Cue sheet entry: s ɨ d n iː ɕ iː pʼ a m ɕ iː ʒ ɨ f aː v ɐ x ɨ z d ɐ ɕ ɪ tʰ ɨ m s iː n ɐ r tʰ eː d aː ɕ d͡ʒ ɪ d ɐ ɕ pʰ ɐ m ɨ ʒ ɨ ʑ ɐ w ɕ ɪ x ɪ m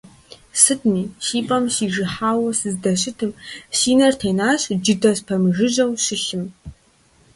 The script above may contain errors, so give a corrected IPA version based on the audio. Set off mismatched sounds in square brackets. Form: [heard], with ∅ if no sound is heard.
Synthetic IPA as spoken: s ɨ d n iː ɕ iː pʼ [ɐ] m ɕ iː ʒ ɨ [ħ] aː [w] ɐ [s] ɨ z d ɐ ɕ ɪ tʰ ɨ m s iː n ɐ r tʰ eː [n] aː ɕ d͡ʒ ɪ d ɐ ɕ pʰ ɐ m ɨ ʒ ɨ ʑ ɐ w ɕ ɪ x ɪ m